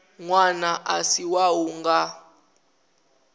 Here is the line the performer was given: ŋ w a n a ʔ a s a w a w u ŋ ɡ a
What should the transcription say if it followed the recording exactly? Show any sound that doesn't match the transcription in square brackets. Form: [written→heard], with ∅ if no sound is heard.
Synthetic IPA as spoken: ŋ w a n a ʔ a s [a→i] w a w u ŋ ɡ a